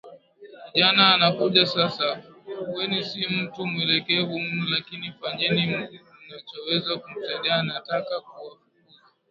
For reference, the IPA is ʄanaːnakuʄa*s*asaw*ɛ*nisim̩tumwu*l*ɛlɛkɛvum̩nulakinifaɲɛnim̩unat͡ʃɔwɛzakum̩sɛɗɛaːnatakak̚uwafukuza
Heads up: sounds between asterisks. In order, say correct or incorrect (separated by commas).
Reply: correct, correct, incorrect